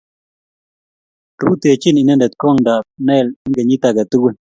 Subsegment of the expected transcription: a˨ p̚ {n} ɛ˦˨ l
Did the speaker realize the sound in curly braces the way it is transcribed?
yes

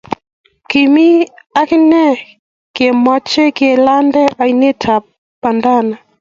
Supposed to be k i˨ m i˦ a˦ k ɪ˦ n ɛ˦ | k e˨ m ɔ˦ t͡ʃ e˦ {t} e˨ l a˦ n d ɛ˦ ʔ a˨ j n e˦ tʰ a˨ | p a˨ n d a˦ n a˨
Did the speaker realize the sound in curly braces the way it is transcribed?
no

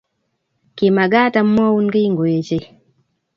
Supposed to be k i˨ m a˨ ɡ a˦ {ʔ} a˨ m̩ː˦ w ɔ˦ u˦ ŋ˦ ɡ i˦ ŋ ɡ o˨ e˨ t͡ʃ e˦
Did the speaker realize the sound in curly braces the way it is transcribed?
no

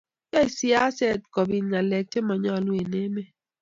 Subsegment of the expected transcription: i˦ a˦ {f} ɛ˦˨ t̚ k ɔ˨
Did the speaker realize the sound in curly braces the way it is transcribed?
no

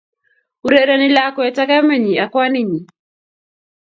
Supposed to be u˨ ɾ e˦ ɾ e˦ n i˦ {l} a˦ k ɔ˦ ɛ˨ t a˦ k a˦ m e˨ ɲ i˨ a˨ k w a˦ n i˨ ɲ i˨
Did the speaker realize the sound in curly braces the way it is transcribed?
yes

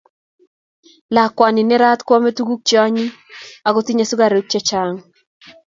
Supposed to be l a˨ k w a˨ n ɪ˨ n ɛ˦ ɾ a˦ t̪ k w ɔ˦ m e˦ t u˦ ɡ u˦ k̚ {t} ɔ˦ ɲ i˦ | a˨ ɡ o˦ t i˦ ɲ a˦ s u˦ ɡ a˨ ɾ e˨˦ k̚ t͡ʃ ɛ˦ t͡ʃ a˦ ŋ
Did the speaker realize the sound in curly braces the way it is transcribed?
no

